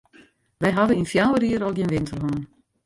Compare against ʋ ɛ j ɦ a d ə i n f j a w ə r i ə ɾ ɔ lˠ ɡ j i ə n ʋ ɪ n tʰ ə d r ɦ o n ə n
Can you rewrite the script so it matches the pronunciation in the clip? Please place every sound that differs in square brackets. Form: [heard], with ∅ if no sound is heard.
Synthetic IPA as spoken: ʋ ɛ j ɦ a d ə i n f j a w ə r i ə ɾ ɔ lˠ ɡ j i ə n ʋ ɪ n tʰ ə [∅] r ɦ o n ə n